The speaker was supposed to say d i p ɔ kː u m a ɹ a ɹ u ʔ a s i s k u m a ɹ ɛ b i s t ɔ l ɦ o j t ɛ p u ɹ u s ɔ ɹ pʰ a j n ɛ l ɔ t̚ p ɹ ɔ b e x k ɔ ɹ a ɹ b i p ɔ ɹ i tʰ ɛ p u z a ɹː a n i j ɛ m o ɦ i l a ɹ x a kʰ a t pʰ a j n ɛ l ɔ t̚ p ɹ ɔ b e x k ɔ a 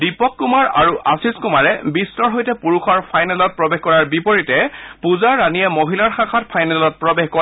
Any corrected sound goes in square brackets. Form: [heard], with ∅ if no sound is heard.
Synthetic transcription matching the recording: d i p ɔ kː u m a ɹ a ɹ u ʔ a s i s k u m a ɹ ɛ b i s t ɔ [ɹ] ɦ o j t ɛ p u ɹ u [x] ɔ ɹ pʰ a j n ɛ l ɔ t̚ p ɹ ɔ b e x k ɔ ɹ a ɹ b i p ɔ ɹ i [t] ɛ p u z a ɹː a n i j ɛ m o ɦ i l a ɹ x a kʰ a t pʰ a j n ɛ l ɔ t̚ p ɹ ɔ b e x k ɔ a